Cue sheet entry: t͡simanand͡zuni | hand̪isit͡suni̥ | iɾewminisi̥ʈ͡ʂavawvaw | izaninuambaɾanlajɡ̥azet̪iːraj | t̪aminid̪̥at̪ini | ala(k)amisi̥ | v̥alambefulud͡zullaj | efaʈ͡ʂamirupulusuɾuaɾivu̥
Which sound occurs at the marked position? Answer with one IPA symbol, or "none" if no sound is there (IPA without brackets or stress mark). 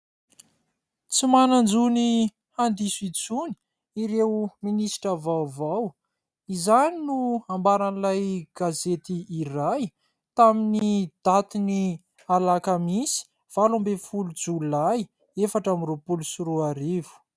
k